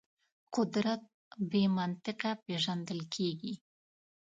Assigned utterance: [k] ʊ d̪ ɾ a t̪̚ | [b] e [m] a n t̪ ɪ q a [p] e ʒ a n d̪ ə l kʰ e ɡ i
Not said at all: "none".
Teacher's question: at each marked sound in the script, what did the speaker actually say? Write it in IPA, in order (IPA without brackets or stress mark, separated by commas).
q, b, m, p